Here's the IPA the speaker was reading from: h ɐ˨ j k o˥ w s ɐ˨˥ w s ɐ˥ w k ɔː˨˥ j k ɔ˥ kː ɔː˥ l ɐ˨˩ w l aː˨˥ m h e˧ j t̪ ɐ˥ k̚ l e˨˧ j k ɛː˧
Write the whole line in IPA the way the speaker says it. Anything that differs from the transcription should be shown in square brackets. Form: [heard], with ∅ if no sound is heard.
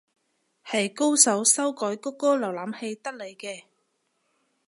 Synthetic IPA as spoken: h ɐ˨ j k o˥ w s ɐ˨˥ w s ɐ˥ w k ɔː˨˥ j k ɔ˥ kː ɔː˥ l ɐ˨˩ w l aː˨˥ m h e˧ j t̪ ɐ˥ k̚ l e˨˧ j k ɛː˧